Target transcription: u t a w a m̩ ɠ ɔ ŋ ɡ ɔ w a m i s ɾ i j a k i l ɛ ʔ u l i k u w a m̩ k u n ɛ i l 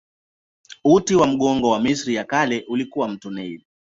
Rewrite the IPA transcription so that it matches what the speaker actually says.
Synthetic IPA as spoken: u t i w a m̩ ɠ ɔ ŋ ɡ ɔ w a m i s ɾ i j a k a l ɛ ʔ u l i k u w a m̩ t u n ɛ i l

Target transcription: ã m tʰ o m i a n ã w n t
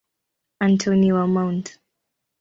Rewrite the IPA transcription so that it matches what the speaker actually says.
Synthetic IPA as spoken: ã n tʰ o n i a m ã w n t

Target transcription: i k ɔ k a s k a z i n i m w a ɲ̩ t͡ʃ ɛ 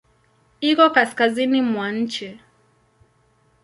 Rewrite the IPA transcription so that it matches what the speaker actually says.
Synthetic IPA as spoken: i k ɔ k a s k a z i n i m w a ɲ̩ t͡ʃ ɛ

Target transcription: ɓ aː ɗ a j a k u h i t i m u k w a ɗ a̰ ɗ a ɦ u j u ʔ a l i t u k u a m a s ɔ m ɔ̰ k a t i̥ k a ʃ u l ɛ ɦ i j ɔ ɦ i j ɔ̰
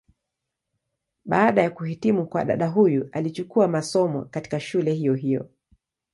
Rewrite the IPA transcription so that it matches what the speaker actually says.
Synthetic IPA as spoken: ɓ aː ɗ a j a k u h i t i m u k w a ɗ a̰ ɗ a ɦ u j u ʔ a l i t͡ʃ u k u a m a s ɔ m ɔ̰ k a t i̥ k a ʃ u l ɛ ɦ i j ɔ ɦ i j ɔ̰

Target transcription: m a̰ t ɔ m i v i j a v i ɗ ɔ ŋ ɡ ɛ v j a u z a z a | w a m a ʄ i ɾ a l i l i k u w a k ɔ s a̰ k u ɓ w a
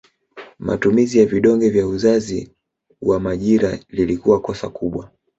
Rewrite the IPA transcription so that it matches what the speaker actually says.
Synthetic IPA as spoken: m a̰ t u m i z i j a v i ɗ ɔ ŋ ɡ ɛ v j a u z a z i | w a m a ʄ i ɾ a l i l i k u w a k ɔ s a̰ k u ɓ w a

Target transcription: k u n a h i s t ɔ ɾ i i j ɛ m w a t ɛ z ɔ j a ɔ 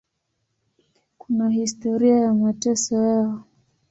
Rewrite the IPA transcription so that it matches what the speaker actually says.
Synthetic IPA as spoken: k u n a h i s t ɔ ɾ i a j a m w a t ɛ s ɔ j a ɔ

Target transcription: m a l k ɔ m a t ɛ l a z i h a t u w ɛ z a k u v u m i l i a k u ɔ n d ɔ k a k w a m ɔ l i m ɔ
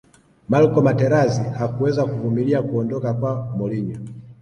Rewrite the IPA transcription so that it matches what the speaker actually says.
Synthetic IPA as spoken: m a l k ɔ m a t ɛ ɾ a z i h a k u w ɛ z a k u v u m i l i a k u ɔ n d ɔ k a k w a m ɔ l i ɲ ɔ

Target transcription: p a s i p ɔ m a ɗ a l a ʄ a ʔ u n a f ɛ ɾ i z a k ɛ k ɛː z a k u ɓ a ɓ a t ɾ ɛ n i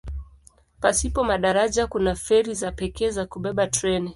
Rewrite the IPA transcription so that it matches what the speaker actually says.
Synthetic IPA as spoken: p a s i p ɔ m a ɗ a ɾ a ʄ a k u n a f ɛ ɾ i z a p ɛ k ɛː z a k u ɓ ɛ ɓ a t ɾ ɛ n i

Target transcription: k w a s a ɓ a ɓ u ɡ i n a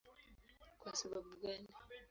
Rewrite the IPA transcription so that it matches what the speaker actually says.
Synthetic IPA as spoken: k w a s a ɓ a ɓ u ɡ a n i

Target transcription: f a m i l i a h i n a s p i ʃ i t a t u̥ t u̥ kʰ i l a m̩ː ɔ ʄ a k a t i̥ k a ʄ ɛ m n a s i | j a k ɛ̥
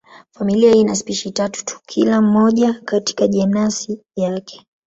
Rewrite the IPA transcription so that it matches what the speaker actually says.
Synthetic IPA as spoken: f a m i l i a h i n a s p i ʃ i t a t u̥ t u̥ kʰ i l a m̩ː ɔ ʄ a k a t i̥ k a ʄ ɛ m n a s i | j a k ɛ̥

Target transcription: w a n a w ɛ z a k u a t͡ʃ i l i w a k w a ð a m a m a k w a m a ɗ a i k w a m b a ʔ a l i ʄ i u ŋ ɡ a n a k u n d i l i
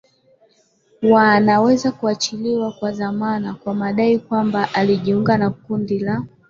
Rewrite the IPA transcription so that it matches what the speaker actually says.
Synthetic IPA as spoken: w a n a w ɛ z a k u a t͡ʃ i l i w a k w a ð a m a n a k w a m a ɗ a i k w a m b a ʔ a l i ʄ i u ŋ ɡ a n a k u n d i l a

